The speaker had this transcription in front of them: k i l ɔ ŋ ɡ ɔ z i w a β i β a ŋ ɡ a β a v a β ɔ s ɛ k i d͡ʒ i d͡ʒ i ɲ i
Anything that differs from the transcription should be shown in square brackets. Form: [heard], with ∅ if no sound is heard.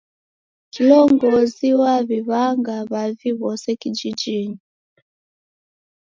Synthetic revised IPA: k i l ɔ ŋ ɡ ɔ z i w a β i β a ŋ ɡ a β a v [i] β ɔ s ɛ k i d͡ʒ i d͡ʒ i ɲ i